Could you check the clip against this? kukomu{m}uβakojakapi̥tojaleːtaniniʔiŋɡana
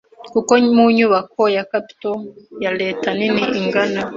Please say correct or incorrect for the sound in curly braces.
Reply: incorrect